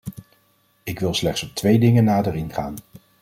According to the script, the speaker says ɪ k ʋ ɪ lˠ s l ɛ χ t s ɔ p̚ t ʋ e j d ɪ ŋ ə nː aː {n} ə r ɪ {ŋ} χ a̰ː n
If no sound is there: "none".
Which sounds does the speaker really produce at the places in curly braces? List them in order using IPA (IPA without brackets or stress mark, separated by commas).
d, n